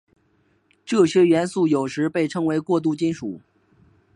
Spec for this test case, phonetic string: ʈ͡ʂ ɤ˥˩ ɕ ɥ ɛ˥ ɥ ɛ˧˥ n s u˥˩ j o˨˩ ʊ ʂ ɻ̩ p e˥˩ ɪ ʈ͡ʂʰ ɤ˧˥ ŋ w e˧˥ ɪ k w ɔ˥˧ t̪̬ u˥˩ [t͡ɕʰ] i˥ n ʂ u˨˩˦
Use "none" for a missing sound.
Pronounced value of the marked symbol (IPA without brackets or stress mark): t͡ɕ